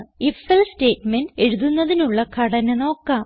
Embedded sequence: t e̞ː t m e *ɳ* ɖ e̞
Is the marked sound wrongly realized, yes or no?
yes